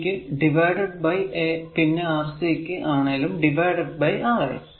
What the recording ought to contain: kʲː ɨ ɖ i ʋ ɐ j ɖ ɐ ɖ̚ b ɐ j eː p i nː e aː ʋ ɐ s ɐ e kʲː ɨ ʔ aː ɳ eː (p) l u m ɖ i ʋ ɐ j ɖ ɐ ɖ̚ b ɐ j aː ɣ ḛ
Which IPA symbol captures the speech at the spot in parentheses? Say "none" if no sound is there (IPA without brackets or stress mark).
none